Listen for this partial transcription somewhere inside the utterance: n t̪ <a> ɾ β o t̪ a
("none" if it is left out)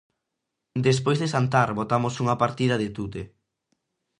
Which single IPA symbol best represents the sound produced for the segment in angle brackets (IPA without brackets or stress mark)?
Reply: a